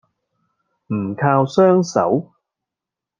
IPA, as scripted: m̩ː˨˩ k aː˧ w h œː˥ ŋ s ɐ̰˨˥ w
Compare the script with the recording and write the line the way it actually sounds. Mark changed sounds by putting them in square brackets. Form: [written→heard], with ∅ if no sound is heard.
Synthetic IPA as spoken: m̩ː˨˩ [k→kʰ] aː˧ w [h→s] œː˥ ŋ s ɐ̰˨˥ w